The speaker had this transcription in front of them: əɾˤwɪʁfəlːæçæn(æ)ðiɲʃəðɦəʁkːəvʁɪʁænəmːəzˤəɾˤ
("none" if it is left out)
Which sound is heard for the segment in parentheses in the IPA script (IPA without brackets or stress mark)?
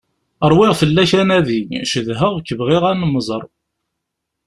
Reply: æ